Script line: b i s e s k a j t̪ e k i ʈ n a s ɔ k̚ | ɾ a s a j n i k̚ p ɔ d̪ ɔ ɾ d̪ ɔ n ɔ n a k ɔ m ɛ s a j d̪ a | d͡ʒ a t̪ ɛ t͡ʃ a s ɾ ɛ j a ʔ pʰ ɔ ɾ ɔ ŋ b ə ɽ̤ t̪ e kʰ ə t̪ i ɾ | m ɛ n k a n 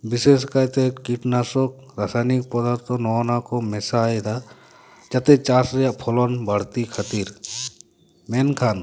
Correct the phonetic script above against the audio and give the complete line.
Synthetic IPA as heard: b i s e s k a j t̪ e k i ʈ n a s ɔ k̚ | ɾ a s a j n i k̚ p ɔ d̪ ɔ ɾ t̪ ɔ n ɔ n a k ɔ m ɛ s a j d̪ a | d͡ʒ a t̪ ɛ t͡ʃ a s ɾ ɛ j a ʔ pʰ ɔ l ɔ n b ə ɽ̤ t̪ i kʰ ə t̪ i ɾ | m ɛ n kʰ a n